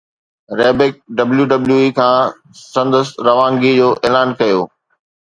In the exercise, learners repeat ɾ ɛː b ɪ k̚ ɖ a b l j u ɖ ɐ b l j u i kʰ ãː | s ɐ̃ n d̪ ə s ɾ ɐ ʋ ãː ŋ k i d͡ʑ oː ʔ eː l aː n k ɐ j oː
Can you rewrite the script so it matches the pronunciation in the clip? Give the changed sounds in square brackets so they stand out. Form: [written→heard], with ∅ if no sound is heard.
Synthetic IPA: ɾ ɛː b ɪ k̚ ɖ [a→ɐ] b l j u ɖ ɐ b l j u i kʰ ãː | s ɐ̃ n d̪ ə s ɾ ɐ ʋ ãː ŋ [k→ɡ] i d͡ʑ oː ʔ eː l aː n k ɐ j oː